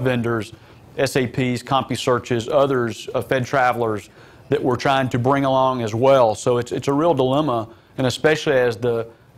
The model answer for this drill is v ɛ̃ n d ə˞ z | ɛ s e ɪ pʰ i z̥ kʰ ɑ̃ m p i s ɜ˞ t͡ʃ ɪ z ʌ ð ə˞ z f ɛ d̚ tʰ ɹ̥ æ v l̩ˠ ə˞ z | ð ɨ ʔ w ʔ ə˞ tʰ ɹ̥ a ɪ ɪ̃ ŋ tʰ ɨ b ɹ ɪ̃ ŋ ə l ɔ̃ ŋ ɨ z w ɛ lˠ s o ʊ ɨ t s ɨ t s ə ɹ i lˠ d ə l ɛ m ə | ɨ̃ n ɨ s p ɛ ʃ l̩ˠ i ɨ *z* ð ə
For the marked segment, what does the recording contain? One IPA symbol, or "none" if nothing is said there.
z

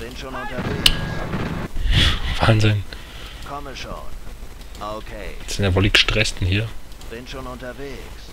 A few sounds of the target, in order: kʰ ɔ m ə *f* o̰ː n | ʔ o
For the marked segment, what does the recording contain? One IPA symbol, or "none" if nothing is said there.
ʃ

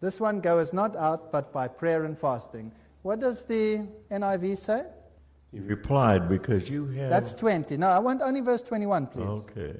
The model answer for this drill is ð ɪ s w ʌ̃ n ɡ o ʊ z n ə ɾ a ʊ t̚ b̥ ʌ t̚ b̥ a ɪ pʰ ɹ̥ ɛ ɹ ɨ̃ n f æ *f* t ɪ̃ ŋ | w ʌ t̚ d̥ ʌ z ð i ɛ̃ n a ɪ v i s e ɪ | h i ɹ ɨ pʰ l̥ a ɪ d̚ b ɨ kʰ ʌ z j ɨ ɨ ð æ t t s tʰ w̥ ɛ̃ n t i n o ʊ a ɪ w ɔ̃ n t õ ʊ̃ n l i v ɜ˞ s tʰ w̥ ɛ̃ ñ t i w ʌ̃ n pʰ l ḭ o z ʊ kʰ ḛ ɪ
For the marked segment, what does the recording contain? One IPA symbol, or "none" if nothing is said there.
s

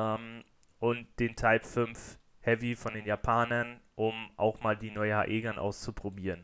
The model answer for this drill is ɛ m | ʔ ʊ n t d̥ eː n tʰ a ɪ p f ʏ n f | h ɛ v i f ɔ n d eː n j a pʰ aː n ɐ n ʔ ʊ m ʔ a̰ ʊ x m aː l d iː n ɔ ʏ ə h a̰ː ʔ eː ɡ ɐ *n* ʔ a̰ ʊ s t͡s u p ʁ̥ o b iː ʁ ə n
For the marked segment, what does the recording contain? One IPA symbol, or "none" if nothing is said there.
n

